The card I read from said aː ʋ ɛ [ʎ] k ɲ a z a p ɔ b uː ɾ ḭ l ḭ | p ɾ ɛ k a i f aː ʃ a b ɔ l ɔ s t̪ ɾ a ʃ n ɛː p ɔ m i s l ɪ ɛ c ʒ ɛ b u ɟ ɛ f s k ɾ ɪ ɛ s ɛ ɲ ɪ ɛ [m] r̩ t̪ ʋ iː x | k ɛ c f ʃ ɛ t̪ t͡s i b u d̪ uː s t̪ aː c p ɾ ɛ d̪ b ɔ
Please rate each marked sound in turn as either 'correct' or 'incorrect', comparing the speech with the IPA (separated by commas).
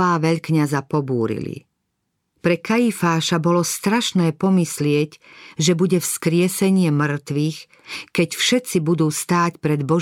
correct, correct